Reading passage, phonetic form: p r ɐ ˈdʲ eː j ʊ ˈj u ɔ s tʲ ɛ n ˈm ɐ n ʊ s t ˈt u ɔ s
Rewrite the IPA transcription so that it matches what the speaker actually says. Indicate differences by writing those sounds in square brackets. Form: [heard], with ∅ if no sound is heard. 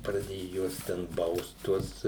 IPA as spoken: p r ɐ ˈdʲ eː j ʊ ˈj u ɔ s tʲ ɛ n [ˈb] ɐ [∅] ʊ s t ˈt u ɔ s